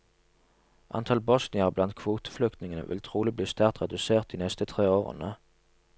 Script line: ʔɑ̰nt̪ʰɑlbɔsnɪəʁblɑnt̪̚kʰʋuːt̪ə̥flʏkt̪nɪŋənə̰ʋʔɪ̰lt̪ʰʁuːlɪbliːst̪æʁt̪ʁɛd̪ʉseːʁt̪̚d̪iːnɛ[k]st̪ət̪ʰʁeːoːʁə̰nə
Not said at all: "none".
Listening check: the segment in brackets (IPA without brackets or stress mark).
none